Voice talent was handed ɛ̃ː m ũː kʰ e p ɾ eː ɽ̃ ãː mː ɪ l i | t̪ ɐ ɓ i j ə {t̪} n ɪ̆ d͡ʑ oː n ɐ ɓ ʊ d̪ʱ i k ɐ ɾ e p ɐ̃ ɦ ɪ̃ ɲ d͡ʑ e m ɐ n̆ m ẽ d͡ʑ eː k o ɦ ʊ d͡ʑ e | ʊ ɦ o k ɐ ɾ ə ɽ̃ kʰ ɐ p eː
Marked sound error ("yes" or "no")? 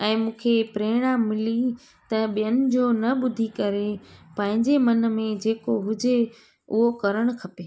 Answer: yes